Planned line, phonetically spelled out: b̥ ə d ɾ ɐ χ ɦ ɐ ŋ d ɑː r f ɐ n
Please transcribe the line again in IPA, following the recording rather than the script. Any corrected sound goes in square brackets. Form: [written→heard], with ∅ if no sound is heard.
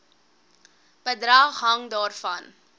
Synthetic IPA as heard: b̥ ə d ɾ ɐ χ ɦ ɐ ŋ d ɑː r f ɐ n